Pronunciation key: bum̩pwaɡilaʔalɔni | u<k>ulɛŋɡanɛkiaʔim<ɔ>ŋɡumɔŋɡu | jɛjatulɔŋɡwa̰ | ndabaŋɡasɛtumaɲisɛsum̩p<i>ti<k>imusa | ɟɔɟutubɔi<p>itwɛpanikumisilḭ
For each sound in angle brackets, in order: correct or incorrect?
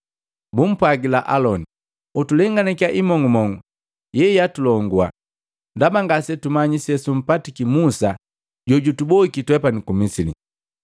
incorrect: t, correct, incorrect: a, correct, incorrect: k

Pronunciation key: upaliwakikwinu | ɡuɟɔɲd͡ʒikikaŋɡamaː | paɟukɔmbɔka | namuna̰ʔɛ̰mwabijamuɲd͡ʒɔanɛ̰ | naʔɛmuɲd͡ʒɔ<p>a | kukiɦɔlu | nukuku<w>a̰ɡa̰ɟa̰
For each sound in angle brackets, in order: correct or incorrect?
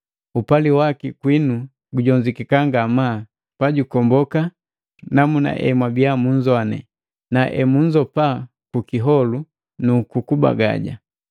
correct, incorrect: b

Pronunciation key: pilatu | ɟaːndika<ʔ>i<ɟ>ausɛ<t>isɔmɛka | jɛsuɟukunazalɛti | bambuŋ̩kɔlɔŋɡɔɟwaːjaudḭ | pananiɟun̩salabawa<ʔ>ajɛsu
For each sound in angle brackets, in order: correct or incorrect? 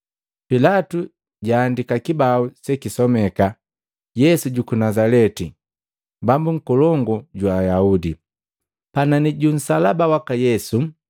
incorrect: k, incorrect: b, incorrect: k, incorrect: k

